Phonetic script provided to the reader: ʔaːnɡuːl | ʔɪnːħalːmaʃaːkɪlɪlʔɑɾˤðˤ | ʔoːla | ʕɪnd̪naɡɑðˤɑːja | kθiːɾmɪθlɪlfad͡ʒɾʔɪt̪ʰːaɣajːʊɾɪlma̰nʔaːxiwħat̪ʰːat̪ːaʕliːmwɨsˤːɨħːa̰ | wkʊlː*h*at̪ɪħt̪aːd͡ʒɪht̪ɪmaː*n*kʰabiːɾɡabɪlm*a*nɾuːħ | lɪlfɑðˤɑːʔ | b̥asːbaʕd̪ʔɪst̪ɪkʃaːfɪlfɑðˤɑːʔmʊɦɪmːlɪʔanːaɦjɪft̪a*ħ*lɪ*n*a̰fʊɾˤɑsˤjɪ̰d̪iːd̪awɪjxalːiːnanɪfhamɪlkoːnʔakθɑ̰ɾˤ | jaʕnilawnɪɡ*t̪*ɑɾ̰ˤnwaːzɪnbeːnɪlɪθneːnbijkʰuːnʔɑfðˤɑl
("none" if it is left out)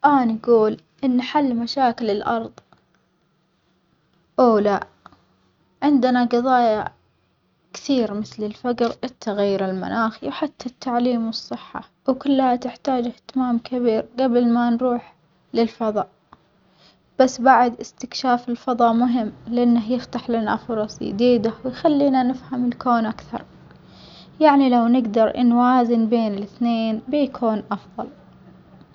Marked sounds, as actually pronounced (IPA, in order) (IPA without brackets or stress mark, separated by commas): h, m, a, ħ, n, d̪